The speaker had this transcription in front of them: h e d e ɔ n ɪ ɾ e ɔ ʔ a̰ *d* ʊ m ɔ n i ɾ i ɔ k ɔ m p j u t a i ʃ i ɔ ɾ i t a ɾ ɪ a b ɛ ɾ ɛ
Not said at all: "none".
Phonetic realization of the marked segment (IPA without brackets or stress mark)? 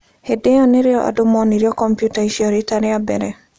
d